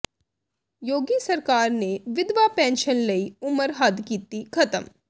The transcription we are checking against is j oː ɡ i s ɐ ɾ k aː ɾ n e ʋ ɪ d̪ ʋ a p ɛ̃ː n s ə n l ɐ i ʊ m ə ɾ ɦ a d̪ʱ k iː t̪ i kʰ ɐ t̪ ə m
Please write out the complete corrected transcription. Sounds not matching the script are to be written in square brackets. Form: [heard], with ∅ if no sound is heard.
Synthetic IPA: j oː ɡ i s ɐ ɾ k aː ɾ n e ʋ ɪ d̪ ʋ a p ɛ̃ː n [ʃ] ə n l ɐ i ʊ m ə ɾ ɦ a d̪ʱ k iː t̪ i kʰ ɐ t̪ ə m